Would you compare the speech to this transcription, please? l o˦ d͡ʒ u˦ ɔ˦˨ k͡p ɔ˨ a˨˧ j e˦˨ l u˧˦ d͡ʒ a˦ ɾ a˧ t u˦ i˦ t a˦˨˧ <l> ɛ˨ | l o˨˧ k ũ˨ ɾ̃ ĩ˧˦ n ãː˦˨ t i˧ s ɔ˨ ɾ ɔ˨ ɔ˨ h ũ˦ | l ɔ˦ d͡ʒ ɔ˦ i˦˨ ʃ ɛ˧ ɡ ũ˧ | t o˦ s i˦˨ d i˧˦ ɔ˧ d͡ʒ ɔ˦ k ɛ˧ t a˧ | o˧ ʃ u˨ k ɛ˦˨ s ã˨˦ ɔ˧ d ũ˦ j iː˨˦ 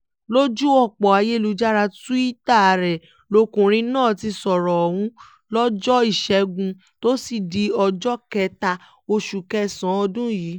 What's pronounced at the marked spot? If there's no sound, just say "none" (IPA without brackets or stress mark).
ɾ